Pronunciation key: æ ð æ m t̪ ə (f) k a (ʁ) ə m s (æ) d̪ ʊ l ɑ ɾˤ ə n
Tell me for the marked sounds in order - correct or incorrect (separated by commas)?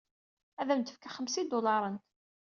correct, incorrect, incorrect